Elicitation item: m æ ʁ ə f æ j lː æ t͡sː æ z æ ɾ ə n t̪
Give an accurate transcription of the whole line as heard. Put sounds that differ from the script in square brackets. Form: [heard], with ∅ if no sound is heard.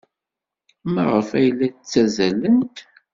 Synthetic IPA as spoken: m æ ʁ ə f æ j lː æ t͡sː æ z æ [l] ə n t̪